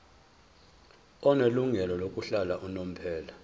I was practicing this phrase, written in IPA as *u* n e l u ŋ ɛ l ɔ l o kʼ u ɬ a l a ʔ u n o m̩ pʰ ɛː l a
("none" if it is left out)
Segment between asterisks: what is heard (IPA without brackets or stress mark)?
ɔ